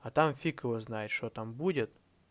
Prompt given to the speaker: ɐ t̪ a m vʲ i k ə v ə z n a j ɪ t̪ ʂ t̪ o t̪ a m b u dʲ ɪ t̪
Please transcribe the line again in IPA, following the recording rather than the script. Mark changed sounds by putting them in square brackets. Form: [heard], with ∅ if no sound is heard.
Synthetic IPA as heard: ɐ t̪ a m [fʲ] i k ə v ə z n a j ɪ t̪ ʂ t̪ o t̪ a m b u dʲ ɪ t̪